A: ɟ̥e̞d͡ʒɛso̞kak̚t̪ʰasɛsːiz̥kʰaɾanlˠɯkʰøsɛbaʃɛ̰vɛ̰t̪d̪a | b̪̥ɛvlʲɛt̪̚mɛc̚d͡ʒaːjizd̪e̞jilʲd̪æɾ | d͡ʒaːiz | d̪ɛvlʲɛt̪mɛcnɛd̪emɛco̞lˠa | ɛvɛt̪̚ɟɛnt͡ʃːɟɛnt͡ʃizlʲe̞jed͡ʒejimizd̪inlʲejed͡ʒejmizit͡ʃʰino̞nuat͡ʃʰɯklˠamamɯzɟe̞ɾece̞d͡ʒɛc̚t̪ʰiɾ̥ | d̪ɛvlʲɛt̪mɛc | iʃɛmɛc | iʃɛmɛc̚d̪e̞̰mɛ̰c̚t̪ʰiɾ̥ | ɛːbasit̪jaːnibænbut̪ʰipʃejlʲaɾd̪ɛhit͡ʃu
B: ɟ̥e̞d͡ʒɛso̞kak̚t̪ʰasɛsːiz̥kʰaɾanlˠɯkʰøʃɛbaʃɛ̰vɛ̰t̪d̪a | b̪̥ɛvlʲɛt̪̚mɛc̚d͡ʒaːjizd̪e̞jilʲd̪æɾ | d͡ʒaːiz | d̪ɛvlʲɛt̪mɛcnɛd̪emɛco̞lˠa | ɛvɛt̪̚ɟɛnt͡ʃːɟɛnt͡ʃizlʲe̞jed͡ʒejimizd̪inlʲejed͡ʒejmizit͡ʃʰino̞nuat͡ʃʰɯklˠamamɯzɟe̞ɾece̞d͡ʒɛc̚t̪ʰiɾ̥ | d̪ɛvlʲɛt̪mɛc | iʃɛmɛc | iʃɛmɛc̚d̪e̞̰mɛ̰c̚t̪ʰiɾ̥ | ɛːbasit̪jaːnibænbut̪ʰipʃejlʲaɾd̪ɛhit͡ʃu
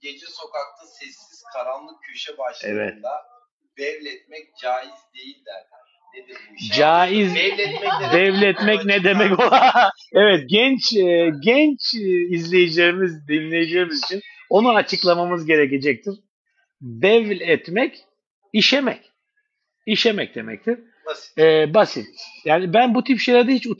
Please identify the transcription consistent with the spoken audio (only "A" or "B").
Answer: B